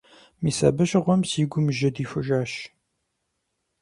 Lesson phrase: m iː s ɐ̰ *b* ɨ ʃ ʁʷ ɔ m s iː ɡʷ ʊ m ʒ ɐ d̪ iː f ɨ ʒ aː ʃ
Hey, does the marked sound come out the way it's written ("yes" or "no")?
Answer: yes